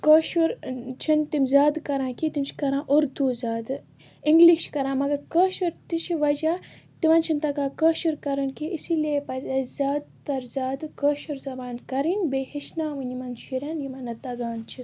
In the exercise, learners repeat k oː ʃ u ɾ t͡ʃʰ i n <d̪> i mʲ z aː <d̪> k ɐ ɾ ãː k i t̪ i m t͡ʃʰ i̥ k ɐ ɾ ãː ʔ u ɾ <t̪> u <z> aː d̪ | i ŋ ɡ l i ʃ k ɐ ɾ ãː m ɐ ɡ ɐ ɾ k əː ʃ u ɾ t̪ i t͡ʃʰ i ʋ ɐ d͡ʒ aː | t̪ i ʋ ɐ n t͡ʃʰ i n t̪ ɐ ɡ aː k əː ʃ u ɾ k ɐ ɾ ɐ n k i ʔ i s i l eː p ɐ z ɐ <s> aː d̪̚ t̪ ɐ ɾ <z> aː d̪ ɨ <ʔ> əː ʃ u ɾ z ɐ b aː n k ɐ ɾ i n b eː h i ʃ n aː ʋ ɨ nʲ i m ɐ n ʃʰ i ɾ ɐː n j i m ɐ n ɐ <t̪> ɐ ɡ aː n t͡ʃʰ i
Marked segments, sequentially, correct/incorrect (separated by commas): incorrect, correct, incorrect, correct, incorrect, correct, incorrect, correct